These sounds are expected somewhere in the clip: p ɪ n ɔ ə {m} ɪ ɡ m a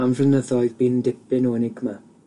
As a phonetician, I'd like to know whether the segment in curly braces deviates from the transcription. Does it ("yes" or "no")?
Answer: yes